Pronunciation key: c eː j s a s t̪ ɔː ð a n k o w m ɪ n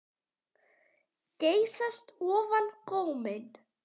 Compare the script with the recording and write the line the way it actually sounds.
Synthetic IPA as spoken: c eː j s a s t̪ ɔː v a n k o w m ɪ n